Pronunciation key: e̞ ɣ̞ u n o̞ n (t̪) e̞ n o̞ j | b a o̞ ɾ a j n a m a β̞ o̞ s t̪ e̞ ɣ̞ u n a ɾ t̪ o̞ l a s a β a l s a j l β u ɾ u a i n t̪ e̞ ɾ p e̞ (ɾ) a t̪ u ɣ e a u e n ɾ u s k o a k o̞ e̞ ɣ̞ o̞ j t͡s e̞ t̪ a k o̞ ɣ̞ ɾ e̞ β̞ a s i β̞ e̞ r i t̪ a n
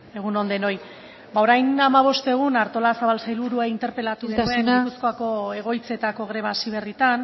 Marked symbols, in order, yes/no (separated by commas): no, no